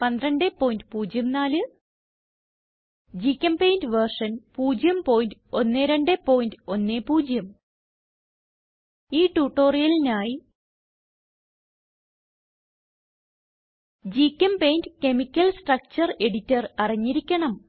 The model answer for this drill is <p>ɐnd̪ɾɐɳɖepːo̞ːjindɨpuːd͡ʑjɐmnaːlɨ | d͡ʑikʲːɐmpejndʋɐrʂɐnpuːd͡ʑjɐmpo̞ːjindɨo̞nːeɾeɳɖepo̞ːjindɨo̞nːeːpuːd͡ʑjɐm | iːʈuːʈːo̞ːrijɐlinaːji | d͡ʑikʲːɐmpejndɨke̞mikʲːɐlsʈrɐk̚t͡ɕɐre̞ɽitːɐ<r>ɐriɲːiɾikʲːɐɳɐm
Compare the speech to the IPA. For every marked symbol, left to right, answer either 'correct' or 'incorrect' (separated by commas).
correct, correct